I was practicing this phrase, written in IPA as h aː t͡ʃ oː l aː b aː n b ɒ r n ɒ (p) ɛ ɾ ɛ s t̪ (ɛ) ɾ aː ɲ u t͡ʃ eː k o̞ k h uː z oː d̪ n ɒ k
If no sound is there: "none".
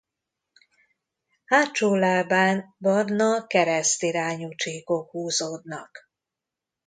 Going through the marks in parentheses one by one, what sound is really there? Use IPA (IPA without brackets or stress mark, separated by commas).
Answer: k, i